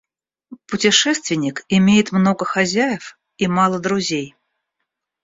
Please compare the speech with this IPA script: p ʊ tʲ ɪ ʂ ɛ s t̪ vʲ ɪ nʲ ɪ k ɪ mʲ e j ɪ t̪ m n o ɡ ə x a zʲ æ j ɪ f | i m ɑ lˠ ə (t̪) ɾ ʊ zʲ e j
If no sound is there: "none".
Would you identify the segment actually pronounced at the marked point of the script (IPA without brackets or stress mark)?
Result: d̪